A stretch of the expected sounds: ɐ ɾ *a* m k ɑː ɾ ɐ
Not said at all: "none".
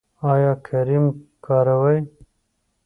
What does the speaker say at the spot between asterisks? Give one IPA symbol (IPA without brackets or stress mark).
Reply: i